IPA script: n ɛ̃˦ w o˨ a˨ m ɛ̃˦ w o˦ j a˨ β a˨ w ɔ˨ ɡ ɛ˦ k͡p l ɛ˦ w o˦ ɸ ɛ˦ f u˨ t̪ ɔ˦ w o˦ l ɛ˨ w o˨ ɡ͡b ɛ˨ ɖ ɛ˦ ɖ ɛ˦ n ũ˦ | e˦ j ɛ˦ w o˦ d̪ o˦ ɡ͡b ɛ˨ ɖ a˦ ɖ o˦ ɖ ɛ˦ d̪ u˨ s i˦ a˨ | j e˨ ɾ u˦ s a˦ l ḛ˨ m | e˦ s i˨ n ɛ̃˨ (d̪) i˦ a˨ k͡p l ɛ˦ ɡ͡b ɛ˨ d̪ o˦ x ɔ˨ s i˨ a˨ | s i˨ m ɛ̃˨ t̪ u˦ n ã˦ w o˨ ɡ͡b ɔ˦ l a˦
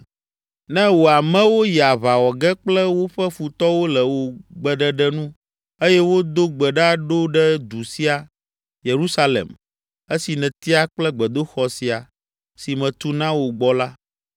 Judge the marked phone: incorrect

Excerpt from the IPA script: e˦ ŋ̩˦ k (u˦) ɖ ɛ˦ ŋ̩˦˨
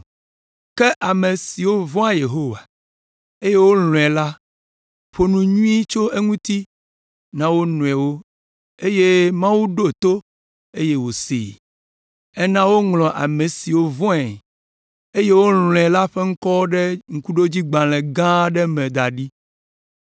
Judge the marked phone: incorrect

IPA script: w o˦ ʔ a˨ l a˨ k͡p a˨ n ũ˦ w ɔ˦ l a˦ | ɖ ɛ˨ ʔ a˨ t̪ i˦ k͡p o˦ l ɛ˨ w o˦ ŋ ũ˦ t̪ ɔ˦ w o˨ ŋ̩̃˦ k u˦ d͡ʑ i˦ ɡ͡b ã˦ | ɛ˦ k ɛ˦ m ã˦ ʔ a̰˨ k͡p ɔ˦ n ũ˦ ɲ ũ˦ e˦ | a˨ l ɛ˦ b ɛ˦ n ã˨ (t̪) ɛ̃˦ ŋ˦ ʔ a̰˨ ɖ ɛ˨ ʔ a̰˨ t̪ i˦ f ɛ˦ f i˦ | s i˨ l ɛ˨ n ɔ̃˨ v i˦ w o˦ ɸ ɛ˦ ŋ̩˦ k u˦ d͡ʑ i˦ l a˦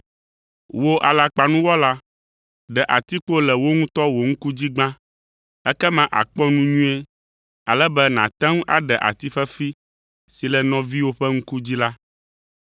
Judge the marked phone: correct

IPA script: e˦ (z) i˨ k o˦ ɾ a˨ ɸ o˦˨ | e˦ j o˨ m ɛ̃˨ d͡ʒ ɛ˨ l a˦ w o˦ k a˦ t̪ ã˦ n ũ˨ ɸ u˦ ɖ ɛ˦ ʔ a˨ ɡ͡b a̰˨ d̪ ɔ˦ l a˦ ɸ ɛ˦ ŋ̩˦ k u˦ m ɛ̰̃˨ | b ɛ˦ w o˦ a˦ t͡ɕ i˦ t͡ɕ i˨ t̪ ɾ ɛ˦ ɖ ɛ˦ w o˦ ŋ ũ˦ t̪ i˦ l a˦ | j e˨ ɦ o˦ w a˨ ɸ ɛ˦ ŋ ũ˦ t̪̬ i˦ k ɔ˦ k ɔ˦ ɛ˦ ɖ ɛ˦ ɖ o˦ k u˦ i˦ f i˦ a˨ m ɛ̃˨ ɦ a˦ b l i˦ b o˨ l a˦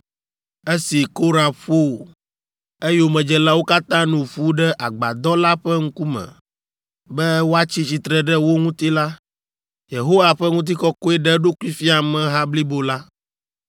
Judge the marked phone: incorrect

